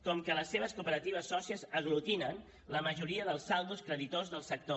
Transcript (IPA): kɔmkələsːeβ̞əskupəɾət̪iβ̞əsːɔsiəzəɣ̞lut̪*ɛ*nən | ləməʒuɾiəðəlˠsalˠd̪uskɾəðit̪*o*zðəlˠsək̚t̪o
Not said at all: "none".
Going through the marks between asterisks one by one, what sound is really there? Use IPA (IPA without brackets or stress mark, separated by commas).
i, o